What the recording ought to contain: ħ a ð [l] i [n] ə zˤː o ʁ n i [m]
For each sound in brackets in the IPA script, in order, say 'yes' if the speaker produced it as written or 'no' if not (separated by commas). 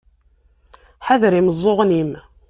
no, no, yes